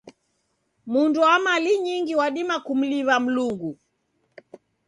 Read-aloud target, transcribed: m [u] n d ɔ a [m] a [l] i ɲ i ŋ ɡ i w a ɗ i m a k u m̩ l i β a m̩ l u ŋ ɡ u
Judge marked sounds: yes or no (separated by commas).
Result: yes, yes, yes